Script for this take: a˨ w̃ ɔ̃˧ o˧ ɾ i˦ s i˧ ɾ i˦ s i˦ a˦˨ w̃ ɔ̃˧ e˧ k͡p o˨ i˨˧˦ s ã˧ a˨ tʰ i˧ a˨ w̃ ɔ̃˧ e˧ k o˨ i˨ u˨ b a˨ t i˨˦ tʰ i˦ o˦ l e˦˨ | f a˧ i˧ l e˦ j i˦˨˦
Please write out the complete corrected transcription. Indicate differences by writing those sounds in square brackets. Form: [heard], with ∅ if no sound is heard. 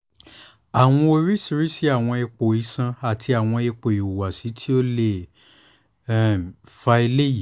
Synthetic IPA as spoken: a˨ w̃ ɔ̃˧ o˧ ɾ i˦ s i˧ ɾ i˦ s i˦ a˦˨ w̃ ɔ̃˧ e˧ k͡p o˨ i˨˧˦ s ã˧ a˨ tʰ i˧ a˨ w̃ ɔ̃˧ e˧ [k͡p] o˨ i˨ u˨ [w] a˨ [s] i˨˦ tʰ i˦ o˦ l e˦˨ | f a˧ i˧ l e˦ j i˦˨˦